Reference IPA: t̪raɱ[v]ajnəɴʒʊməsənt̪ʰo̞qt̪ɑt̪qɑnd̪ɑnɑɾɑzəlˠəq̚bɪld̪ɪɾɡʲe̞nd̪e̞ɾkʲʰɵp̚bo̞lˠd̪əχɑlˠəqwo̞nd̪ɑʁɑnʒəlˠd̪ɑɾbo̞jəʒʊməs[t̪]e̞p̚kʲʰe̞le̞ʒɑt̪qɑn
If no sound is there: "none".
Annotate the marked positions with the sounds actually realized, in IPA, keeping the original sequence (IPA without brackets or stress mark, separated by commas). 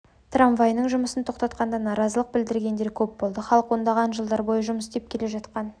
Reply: v, d̪